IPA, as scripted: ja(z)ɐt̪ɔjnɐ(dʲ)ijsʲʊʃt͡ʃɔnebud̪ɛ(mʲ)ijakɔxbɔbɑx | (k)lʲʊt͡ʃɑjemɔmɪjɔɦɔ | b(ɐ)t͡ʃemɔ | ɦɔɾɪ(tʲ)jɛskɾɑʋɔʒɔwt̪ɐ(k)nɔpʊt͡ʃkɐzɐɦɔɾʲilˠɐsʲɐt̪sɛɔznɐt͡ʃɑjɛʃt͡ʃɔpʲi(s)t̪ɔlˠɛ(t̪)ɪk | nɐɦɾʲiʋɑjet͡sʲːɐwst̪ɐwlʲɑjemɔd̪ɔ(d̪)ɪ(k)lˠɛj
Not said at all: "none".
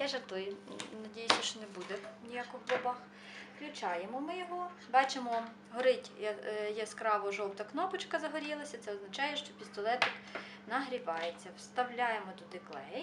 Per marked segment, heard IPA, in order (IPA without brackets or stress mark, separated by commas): ʒ, dʲ, nʲ, k, ɑ, tʲ, k, s, t̪, d̪, k